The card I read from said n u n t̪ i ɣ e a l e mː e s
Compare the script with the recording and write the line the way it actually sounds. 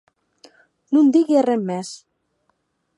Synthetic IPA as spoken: n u n d̪ i ɣ i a r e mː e s